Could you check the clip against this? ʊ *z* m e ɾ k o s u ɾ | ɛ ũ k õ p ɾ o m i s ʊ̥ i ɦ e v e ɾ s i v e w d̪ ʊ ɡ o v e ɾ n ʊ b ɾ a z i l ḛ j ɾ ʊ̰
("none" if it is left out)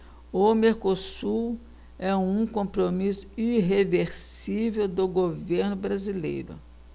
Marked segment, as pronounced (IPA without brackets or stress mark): none